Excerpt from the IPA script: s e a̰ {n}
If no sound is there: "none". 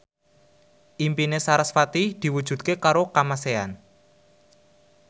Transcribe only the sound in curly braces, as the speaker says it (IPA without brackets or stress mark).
n